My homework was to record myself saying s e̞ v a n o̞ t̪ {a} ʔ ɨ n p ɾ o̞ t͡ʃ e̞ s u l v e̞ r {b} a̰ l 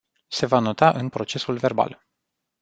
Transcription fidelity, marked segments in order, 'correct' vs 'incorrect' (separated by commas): correct, correct